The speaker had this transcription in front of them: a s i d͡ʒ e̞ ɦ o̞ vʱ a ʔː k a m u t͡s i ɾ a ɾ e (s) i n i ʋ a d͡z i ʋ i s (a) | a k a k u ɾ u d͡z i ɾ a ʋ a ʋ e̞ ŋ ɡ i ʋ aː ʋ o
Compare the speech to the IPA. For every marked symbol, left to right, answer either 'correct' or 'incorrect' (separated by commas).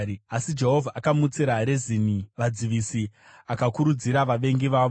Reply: incorrect, incorrect